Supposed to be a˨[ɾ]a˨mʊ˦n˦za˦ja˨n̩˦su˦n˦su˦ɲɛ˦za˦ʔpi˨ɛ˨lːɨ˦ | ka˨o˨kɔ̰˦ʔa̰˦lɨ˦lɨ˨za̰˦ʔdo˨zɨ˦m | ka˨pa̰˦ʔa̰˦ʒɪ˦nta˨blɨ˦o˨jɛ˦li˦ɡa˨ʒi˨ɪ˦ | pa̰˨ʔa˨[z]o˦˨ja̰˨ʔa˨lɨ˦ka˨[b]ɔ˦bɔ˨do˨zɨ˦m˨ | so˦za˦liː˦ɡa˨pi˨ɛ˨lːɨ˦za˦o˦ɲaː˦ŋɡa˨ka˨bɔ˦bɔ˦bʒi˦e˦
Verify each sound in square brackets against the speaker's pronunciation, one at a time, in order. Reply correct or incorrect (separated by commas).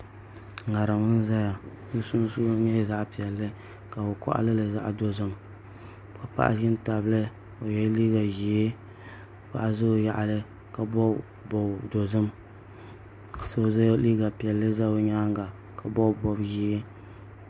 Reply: correct, correct, correct